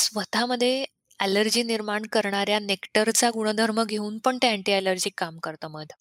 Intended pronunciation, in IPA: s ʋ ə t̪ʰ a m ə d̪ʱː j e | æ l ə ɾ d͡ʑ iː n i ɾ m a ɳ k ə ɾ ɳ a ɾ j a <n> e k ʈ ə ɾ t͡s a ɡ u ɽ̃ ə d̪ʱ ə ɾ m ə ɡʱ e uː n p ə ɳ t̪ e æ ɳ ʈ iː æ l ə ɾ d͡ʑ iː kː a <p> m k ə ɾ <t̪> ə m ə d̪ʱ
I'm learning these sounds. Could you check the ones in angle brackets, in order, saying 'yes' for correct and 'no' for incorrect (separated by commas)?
yes, no, yes